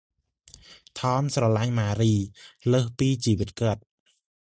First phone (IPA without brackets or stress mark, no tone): t̪ʰ